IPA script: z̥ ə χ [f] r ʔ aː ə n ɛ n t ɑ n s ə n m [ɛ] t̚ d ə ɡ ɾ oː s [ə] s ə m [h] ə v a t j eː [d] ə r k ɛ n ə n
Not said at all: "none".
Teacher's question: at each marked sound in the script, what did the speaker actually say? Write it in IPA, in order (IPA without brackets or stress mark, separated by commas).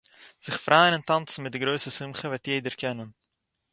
f, ɛ, ə, χ, d